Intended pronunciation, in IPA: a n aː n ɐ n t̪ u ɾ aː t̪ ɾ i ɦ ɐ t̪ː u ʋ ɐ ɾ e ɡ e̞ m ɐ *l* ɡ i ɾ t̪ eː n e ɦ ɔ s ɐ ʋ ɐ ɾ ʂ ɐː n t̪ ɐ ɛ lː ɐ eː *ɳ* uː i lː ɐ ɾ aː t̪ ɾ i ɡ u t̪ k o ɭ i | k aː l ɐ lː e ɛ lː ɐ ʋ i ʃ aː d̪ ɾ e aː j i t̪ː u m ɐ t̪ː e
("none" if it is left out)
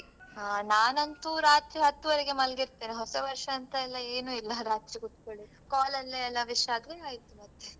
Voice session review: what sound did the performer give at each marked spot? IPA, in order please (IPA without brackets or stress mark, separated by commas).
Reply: l, n